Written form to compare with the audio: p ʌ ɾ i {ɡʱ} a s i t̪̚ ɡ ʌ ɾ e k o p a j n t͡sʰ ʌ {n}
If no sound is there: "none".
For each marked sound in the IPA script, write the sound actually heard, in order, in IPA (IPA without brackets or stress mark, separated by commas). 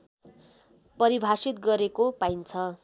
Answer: bʱ, none